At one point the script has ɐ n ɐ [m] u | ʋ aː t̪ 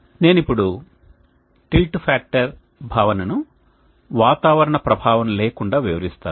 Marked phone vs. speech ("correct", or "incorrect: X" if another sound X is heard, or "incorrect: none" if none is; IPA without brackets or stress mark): incorrect: n